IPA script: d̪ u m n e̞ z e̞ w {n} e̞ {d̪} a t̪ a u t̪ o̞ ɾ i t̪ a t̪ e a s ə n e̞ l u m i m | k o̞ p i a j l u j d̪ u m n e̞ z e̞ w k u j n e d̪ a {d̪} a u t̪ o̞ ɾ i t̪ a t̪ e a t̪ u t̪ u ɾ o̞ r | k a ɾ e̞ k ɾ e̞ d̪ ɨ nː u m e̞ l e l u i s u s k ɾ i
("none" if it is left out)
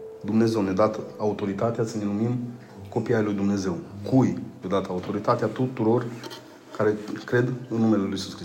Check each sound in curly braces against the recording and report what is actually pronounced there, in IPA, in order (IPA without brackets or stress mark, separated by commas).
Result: n, d̪, t̪